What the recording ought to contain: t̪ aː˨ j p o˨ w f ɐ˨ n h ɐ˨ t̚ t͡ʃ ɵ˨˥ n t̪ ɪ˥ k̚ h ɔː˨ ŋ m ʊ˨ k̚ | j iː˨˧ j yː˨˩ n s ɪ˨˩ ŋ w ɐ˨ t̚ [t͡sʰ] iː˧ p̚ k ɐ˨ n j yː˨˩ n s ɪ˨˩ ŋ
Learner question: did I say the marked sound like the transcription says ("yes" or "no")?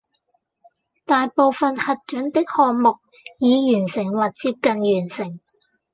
no